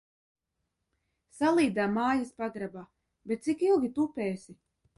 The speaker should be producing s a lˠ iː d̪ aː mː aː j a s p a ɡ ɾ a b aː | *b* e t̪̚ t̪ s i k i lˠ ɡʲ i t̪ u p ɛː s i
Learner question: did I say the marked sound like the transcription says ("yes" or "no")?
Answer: yes